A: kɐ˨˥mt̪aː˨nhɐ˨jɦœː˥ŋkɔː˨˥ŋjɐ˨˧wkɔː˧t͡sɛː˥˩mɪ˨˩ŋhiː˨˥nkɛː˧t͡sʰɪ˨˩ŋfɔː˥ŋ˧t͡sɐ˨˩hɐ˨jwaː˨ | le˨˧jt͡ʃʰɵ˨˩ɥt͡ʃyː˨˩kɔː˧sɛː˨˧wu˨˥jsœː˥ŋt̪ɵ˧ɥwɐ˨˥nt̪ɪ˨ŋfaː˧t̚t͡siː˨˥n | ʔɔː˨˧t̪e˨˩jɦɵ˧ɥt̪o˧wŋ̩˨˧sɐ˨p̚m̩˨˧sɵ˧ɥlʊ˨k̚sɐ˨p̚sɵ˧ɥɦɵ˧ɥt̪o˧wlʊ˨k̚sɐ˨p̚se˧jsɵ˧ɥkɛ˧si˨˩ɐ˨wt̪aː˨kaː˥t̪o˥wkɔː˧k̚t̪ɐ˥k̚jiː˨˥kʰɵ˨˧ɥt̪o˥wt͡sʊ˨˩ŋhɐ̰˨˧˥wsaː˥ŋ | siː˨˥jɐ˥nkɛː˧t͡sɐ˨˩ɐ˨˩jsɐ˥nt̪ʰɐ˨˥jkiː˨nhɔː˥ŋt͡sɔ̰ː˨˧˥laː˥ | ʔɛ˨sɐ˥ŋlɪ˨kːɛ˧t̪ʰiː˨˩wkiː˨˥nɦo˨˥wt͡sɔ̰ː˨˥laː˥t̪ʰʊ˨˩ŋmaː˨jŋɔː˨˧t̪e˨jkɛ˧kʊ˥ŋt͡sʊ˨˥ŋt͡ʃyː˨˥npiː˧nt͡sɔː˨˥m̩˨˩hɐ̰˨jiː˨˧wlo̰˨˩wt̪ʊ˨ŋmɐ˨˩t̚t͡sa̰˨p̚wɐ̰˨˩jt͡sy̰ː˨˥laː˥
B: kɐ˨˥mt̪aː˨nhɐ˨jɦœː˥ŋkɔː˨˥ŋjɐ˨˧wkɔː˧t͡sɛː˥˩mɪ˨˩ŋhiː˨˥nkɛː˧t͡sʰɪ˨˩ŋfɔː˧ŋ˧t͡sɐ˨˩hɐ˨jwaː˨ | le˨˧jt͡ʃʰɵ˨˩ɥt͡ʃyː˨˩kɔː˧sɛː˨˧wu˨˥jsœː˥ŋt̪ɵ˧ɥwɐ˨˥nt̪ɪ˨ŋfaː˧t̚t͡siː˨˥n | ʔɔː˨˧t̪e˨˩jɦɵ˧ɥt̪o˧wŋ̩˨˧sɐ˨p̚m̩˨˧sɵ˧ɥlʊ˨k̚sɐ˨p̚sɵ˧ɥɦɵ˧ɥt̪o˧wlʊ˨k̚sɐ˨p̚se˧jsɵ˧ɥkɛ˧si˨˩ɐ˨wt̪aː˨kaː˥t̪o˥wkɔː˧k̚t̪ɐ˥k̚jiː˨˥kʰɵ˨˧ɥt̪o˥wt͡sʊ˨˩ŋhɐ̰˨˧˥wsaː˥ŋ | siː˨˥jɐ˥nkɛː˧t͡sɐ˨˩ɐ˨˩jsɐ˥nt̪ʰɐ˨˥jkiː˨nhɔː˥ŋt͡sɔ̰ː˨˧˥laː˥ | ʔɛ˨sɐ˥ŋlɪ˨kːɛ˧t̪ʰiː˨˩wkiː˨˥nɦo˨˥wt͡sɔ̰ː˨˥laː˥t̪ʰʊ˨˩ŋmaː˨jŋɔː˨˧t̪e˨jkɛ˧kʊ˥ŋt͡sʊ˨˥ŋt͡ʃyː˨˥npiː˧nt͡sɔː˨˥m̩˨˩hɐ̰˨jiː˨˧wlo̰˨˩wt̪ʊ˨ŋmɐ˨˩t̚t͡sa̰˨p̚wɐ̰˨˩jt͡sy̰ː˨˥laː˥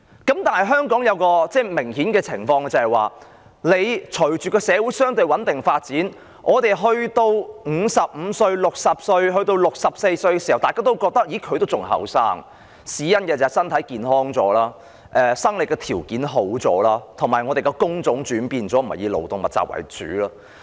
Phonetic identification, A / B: B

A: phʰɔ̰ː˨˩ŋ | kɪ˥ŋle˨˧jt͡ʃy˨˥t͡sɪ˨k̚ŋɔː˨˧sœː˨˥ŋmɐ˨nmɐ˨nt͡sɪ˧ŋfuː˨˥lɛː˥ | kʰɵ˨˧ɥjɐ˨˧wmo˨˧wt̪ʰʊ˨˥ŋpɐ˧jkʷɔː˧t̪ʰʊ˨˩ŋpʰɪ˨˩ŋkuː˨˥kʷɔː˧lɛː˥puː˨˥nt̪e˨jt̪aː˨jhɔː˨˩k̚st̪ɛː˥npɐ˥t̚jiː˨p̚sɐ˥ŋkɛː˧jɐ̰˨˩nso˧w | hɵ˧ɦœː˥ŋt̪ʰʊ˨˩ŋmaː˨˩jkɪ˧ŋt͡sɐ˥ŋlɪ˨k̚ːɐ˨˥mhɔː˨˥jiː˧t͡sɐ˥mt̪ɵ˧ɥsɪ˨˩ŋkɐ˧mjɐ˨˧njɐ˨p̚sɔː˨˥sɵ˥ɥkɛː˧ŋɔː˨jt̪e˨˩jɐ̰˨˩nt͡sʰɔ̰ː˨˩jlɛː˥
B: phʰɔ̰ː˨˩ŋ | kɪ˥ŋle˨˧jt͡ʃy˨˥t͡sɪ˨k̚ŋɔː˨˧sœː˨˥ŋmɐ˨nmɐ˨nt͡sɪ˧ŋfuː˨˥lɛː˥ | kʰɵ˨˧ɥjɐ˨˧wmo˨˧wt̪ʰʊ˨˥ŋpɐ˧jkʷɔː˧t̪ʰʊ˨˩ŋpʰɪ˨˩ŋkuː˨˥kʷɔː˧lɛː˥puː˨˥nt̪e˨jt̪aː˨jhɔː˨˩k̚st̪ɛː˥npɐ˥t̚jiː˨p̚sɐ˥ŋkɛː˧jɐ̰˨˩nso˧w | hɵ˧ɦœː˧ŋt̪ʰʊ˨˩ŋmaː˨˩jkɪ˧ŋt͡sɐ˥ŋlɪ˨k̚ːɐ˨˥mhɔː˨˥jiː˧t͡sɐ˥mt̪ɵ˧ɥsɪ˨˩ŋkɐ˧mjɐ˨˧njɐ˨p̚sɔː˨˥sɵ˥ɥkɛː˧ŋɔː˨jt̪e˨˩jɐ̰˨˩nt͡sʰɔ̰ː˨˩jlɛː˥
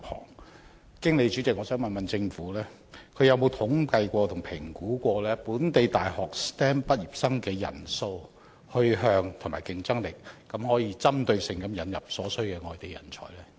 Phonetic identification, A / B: B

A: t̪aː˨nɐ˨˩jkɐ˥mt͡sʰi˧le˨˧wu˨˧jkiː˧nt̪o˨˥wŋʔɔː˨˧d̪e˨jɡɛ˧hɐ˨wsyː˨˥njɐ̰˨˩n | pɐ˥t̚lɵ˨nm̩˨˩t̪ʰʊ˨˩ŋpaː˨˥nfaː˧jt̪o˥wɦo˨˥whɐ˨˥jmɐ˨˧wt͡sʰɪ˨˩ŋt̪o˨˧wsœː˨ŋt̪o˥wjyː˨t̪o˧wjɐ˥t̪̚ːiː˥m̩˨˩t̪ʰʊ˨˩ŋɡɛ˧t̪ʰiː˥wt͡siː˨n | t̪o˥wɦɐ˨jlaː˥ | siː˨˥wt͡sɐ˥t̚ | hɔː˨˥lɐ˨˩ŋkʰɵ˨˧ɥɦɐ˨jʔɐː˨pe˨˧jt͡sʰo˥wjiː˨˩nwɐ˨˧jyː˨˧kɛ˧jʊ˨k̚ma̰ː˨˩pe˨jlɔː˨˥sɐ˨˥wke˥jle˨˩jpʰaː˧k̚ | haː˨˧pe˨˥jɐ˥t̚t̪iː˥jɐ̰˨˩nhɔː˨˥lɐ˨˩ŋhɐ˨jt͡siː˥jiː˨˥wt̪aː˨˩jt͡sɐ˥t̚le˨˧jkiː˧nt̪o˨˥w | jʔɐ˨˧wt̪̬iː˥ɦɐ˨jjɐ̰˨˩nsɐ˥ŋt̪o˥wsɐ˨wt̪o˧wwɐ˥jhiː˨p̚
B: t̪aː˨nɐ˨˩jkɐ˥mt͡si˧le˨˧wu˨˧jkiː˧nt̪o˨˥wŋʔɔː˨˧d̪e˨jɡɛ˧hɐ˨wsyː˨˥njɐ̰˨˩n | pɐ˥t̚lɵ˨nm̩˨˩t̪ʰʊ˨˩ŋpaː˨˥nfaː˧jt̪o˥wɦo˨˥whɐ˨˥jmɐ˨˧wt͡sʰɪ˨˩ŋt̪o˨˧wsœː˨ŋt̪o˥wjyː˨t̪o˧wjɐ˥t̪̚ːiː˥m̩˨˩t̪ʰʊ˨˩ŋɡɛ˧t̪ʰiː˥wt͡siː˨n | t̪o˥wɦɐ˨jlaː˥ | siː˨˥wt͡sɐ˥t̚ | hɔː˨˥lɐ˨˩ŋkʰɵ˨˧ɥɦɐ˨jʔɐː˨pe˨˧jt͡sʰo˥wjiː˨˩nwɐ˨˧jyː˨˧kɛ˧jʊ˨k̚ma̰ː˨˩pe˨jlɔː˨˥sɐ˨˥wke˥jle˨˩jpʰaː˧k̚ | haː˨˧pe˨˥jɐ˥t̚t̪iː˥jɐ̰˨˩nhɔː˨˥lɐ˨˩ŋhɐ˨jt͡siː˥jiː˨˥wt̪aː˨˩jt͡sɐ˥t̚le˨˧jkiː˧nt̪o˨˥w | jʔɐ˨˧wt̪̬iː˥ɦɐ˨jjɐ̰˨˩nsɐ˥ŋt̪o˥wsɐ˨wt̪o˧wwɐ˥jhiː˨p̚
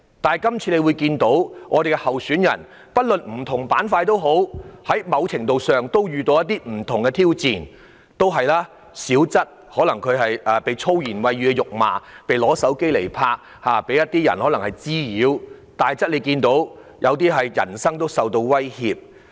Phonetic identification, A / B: A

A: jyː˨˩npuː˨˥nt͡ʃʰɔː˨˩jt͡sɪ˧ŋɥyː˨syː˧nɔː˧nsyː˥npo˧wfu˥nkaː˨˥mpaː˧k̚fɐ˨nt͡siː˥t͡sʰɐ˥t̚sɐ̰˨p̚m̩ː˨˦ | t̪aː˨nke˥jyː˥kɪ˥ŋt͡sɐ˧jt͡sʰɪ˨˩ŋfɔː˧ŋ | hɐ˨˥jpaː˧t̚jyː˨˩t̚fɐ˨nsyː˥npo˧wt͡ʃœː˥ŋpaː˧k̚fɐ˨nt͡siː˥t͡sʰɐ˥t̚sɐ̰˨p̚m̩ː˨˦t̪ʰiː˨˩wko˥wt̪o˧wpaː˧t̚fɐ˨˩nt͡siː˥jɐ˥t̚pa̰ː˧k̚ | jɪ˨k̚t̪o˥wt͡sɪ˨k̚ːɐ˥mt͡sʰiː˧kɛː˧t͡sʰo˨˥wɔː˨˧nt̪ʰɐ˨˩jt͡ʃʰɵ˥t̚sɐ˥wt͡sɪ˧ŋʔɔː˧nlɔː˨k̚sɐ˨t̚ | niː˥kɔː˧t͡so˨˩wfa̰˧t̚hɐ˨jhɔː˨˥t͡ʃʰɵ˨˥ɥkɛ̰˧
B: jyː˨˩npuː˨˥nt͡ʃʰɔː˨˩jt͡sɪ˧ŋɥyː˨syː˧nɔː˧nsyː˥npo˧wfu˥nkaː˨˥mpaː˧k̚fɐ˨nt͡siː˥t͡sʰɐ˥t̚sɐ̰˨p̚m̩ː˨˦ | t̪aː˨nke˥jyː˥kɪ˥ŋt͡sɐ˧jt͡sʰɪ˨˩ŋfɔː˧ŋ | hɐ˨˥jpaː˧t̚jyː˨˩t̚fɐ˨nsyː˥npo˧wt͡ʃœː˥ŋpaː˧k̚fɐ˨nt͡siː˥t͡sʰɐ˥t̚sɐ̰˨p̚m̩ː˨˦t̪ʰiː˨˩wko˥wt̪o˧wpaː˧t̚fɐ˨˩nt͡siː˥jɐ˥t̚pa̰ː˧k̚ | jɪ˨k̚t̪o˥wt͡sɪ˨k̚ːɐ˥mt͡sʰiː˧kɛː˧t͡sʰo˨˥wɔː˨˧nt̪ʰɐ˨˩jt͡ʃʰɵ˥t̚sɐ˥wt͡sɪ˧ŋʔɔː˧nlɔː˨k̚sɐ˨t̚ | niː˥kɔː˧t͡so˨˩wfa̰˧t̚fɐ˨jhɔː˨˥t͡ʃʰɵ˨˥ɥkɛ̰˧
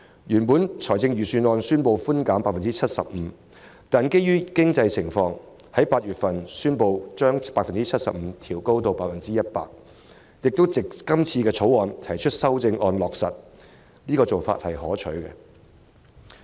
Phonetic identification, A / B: A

